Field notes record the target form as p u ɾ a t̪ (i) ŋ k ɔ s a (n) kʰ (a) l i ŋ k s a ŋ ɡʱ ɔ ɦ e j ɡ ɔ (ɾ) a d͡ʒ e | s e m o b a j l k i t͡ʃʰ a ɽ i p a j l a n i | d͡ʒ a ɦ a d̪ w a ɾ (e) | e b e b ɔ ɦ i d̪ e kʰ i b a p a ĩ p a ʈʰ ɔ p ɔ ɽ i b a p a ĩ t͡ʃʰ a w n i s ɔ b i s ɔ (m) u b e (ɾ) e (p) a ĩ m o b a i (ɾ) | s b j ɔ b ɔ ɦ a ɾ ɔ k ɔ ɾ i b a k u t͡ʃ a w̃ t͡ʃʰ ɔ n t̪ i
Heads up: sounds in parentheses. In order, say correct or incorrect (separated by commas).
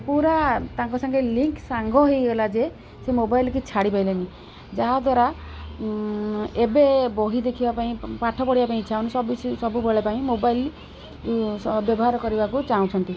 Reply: incorrect, incorrect, incorrect, incorrect, incorrect, incorrect, incorrect, correct, incorrect